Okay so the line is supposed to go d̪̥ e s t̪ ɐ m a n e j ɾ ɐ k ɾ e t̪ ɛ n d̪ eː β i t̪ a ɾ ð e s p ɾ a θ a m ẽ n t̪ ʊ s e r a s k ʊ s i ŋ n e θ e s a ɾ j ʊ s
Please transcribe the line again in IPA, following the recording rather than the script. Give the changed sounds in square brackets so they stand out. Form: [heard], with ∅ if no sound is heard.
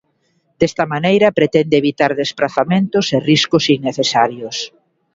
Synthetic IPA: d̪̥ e s t̪ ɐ m a n e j ɾ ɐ [p] ɾ e t̪ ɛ n d̪ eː β i t̪ a ɾ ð e s p ɾ a θ a m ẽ n t̪ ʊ s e r [i] s k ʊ s i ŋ n e θ e s a ɾ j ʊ s